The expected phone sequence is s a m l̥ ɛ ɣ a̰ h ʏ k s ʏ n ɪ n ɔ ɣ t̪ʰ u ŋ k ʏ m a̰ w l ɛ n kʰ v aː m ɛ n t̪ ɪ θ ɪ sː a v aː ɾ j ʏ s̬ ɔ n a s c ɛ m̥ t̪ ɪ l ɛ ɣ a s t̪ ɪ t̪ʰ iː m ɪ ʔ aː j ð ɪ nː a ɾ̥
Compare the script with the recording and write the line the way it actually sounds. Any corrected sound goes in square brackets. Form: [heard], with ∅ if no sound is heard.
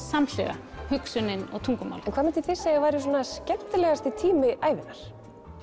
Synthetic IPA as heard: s a m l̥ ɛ ɣ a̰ h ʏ k s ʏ n ɪ n ɔ ɣ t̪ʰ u ŋ k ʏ m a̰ w l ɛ n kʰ v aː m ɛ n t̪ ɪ θ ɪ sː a v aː ɾ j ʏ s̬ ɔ n a s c ɛ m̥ t̪ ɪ l ɛ ɣ a s t̪ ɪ t̪ʰ iː m ɪ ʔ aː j [v] ɪ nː a ɾ̥